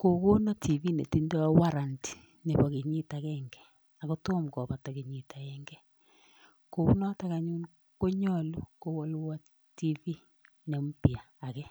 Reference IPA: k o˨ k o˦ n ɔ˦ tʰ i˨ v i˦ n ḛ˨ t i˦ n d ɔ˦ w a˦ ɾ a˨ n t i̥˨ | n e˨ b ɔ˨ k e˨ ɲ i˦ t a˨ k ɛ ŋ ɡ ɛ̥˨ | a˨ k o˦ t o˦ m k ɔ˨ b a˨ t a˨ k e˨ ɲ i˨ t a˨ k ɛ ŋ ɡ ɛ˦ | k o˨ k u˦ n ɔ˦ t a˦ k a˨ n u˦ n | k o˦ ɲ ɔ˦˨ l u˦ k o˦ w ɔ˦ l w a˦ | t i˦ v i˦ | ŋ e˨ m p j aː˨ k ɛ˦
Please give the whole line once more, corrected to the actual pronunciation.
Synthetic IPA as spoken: k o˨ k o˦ n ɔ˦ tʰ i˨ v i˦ n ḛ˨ t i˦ n d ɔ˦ w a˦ ɾ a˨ n t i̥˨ | n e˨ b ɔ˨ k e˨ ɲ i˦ t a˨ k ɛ ŋ ɡ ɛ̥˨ | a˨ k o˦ t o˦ m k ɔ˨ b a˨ t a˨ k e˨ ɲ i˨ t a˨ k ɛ ŋ ɡ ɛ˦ | k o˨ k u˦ n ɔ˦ t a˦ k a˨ ɲ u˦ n | k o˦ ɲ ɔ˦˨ l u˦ k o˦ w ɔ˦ l w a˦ | t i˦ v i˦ | n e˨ m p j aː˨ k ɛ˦